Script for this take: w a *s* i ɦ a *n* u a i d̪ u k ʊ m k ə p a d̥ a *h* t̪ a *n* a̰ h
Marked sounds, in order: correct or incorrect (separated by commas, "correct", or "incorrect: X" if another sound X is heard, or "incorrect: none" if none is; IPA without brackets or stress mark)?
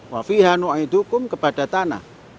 incorrect: f, correct, incorrect: none, correct